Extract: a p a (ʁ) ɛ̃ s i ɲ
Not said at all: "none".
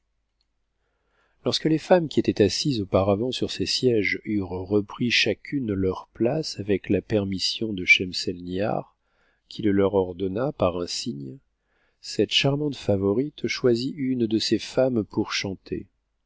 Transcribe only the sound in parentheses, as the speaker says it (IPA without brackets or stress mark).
ʁ